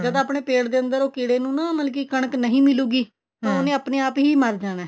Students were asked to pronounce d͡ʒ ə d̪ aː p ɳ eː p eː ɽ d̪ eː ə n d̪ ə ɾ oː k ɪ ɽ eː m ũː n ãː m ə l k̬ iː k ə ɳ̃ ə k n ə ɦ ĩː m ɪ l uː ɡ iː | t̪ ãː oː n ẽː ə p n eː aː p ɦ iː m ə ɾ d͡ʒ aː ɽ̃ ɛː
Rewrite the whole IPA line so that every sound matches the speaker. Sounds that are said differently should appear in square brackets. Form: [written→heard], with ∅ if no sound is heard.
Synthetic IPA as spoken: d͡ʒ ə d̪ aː p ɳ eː p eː ɽ d̪ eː ə n d̪ ə ɾ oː k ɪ ɽ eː [m→n] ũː n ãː m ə l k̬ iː k ə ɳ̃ ə k n ə ɦ ĩː m ɪ l uː ɡ iː | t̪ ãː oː n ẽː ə p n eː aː p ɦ iː m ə ɾ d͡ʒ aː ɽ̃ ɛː